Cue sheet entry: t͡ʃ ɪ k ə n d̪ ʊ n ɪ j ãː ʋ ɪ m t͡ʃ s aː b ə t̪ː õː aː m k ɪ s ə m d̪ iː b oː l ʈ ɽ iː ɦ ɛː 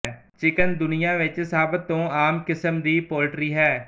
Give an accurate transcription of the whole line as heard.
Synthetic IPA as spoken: t͡ʃ ɪ k ə n d̪ ʊ n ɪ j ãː ʋ ɪ t͡ʃ s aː b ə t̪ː õː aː m k ɪ s ə m d̪ iː p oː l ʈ ɾ iː ɦ ɛː